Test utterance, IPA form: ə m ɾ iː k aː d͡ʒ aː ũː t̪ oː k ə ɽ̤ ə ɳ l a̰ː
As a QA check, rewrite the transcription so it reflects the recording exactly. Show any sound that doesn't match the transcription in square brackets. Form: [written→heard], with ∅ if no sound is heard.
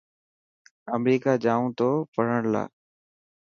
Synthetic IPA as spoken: ə m ɾ iː k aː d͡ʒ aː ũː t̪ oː [k→p] ə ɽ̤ ə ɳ l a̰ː